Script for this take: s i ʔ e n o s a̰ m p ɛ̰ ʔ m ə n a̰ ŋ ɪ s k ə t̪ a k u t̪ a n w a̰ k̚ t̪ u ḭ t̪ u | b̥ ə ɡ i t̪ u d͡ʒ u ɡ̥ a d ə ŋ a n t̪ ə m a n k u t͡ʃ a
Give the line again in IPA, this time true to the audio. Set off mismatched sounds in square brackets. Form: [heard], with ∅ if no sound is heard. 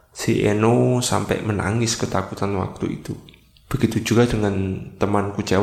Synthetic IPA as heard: s i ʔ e n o s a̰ m p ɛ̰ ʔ m ə n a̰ ŋ ɪ s k ə t̪ a k u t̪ a n w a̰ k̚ t̪ u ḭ t̪ u | b̥ ə ɡ i t̪ u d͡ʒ u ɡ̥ a d ə ŋ a n t̪ ə m a n k u t͡ʃ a